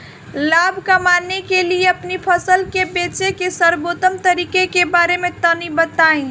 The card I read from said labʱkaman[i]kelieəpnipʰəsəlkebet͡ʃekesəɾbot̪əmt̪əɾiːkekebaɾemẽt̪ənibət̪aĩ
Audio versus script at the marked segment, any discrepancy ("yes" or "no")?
yes